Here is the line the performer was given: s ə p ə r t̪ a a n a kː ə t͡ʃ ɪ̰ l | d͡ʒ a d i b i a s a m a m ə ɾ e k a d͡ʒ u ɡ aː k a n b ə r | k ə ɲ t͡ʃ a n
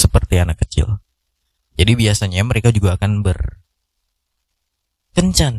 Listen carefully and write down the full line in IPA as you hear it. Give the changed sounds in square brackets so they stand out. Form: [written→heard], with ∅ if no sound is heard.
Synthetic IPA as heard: s ə p ə r t̪ [a→i] a n a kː ə t͡ʃ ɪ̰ l | d͡ʒ a d i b i a s a [m→ɲ] a m ə ɾ e k a d͡ʒ u ɡ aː k a n b ə r | k ə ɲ t͡ʃ a n